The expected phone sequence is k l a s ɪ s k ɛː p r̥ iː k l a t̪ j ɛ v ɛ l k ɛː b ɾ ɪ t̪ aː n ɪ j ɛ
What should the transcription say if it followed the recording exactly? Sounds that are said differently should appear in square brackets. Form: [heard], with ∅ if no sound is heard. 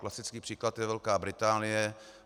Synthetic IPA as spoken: k l a s ɪ [t͡s] k [iː] p r̥ iː k l a t̪ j ɛ v ɛ l k [aː] b ɾ ɪ t̪ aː n ɪ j ɛ

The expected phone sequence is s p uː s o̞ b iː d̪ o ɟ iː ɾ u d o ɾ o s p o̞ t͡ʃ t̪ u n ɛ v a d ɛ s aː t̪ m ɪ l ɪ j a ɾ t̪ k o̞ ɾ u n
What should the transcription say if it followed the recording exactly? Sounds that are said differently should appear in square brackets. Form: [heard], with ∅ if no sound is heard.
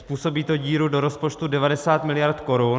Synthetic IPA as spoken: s p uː s o̞ b iː [t̪] o ɟ iː ɾ u d o ɾ o s p o̞ t͡ʃ t̪ u [d] ɛ v a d ɛ s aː t̪ m ɪ l ɪ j a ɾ t̪ k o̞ ɾ u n

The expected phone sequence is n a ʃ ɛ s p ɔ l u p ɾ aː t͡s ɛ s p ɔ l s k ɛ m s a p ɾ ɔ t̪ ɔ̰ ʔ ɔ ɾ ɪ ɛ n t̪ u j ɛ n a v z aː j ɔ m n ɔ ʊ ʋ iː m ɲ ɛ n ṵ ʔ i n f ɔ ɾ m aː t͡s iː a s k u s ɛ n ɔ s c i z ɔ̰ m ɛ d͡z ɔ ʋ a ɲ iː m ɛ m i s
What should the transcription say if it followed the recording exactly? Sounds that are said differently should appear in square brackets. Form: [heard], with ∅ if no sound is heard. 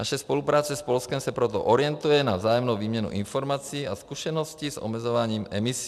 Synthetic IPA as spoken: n a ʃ ɛ s p ɔ l u p ɾ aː t͡s ɛ s p ɔ l s k ɛ m s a p ɾ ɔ t̪ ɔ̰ ʔ ɔ ɾ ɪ ɛ n t̪ u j ɛ n a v z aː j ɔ m n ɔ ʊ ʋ iː m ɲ ɛ n ṵ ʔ i n f ɔ ɾ m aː t͡s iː a s k u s ɛ n ɔ s c i z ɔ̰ m ɛ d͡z ɔ ʋ a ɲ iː m ɛ m i s

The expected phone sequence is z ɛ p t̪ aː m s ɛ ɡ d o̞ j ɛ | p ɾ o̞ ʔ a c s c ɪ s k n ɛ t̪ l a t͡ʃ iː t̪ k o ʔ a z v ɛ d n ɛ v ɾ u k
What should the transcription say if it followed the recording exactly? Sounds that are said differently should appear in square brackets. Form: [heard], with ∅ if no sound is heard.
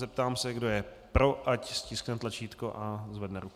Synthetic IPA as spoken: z ɛ p t̪ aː m s ɛ ɡ d o̞ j ɛ | p ɾ o̞ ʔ a c s c ɪ s k n ɛ t̪ l a t͡ʃ iː t̪ k o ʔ a z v ɛ d n ɛ [∅] ɾ u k

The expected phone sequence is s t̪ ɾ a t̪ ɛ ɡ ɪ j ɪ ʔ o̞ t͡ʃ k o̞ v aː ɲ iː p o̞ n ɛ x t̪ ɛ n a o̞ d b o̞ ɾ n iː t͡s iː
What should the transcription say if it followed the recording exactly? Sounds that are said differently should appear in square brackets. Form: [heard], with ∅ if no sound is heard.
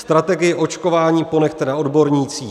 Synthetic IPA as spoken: s t̪ ɾ a t̪ ɛ ɡ ɪ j ɪ ʔ o̞ t͡ʃ k o̞ v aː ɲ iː p o̞ n ɛ x t̪ ɛ n a o̞ d b o̞ ɾ [ɲ] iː t͡s iː

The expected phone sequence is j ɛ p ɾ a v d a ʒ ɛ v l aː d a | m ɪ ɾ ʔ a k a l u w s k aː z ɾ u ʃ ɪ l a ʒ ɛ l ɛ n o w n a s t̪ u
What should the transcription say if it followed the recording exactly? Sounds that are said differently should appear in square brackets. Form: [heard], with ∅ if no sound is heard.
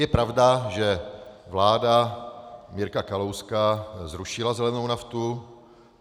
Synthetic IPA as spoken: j ɛ p ɾ a v d a ʒ ɛ v l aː d a | m ɪ ɾ [k] a k a l [o] w s k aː z ɾ u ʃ ɪ l a [z] ɛ l ɛ n o w n a [f] t̪ u

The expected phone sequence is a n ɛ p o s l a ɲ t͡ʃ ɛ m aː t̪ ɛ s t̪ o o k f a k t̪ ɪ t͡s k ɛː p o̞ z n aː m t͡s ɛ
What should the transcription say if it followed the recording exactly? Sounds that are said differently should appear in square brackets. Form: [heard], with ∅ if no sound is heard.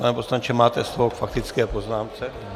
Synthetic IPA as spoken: a n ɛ p o s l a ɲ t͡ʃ ɛ m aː t̪ ɛ s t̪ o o k f a k t̪ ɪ t͡s k ɛː p o̞ z n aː m t͡s ɛ

